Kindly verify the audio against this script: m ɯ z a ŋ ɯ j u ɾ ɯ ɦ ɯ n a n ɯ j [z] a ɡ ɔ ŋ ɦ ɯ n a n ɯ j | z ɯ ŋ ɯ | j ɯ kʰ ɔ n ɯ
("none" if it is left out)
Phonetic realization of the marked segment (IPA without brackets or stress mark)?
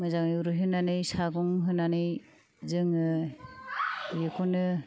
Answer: s